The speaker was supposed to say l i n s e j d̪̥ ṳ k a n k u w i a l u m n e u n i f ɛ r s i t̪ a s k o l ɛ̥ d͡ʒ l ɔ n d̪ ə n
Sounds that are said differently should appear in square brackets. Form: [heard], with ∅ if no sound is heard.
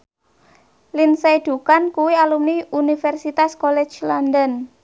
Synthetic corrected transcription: l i n s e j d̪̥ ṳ k a n k u w i a l u m n [i] u n i f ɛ r s i t̪ a s k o l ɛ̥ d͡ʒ l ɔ n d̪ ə n